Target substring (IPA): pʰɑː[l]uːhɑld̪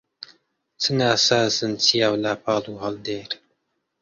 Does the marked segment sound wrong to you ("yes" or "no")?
no